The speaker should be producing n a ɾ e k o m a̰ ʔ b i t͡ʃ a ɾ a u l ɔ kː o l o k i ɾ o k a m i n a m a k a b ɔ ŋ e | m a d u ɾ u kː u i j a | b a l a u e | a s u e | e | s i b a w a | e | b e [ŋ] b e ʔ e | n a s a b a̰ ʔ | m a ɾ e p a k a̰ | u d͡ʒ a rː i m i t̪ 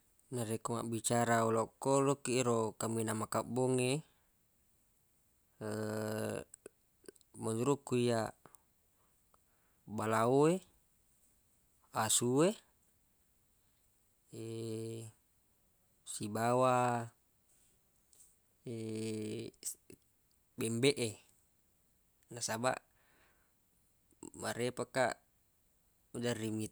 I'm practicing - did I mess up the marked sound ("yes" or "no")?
yes